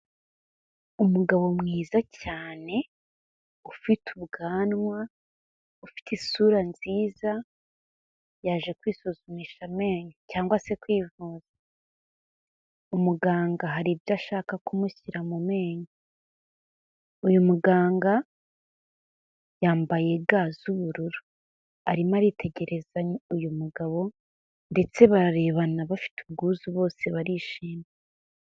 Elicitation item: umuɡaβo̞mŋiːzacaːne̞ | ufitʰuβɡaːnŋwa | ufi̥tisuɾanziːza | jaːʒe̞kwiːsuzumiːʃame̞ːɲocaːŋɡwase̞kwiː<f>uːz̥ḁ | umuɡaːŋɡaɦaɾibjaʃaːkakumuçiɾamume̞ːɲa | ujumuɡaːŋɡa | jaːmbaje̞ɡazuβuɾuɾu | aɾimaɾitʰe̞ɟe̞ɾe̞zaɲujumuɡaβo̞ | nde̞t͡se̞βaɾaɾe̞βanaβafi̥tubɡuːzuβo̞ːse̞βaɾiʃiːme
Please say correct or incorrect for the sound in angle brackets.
incorrect